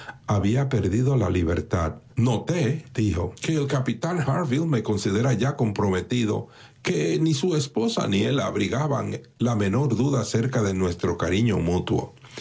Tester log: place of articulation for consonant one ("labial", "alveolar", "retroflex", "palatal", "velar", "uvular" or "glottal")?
labial